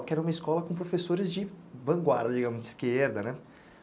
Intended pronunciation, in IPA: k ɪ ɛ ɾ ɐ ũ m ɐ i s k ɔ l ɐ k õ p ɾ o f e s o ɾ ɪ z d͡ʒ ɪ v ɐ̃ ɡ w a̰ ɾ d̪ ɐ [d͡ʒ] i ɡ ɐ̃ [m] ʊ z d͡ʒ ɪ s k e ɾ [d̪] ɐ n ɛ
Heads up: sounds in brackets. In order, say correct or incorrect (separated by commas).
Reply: correct, correct, correct